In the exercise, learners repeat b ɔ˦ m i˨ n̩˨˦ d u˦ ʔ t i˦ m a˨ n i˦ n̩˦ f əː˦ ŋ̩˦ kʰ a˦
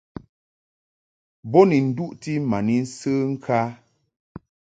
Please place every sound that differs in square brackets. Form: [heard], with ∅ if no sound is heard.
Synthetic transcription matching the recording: b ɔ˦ [n] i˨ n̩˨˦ d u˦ ʔ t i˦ m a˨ n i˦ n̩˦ [s] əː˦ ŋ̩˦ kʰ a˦